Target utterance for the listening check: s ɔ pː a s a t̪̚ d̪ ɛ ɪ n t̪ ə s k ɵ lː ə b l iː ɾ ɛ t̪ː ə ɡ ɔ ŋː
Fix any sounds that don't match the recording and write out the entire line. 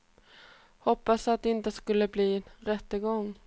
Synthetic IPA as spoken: h ɔ pː a s a t̪̚ d̪ ɛ ɪ n t̪ ə s k ɵ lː ə b l iː ɾ ɛ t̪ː ə ɡ ɔ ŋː